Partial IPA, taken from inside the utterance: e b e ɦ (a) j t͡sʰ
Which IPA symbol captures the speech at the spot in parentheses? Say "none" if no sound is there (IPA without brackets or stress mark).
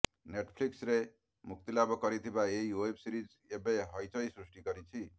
ʌ